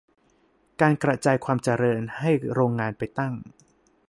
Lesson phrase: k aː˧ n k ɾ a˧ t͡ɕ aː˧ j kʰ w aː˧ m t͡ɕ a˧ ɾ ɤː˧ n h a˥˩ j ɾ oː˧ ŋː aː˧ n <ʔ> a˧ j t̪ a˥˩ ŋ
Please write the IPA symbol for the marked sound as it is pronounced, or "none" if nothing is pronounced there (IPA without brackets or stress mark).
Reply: p